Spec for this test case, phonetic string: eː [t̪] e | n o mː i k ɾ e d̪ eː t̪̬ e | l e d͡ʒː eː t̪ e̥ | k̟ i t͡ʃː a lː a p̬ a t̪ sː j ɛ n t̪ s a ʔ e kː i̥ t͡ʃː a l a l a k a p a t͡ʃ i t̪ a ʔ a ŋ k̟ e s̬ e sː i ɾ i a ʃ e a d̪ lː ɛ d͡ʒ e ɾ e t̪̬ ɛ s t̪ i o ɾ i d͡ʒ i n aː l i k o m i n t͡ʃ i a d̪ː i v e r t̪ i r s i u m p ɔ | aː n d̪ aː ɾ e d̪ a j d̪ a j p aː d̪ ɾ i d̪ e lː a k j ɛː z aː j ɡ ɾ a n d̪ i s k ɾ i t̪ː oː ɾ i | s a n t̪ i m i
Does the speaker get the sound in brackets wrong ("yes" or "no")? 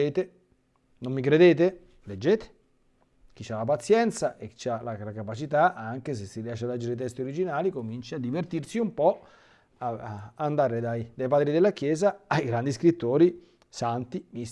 no